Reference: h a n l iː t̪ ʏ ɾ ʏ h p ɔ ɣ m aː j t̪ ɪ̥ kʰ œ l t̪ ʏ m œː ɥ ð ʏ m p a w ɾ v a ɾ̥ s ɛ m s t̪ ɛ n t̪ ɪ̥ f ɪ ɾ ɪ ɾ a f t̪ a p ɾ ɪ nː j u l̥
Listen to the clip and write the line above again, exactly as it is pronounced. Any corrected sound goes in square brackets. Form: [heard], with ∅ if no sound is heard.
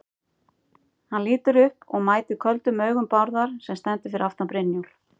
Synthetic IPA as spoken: h a n l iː t̪ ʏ ɾ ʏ h p ɔ ɣ m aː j t̪ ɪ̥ kʰ œ l t̪ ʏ m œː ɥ [ɣ] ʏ m p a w ɾ [ð] a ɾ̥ s ɛ m s t̪ ɛ n t̪ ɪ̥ f ɪ ɾ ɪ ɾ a f t̪ a p ɾ ɪ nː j u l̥